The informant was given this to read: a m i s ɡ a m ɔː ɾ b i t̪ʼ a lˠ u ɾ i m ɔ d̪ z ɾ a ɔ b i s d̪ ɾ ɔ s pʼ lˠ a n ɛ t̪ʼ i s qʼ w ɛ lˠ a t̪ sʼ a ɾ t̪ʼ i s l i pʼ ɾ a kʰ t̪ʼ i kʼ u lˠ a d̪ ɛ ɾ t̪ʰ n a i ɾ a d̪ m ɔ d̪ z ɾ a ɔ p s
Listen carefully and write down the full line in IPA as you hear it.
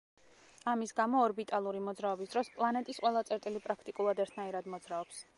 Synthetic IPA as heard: a m i s ɡ a m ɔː ɾ b i t̪ʼ a lˠ u ɾ i m ɔ d̪ z ɾ a ɔ b i s d̪ ɾ ɔ s pʼ lˠ a n ɛ t̪ʼ i s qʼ w ɛ lˠ a t̪ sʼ ɛ ɾ t̪ʼ i l i pʼ ɾ a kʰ t̪ʼ i kʼ u lˠ a d̪ ɛ ɾ t̪ʰ n a i ɾ a d̪ m ɔ d̪ z ɾ a ɔ p s

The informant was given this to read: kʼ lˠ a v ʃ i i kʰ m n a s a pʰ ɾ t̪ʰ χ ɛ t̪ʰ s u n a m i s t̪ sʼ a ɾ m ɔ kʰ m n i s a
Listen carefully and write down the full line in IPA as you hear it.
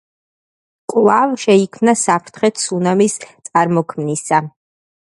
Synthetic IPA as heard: kʼ lˠ a v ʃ ɛ i kʰ m n a s a pʰ ɾ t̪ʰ χ ɛ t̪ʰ s u n a m i s t̪ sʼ a ɾ m ɔ kʰ m n i s a

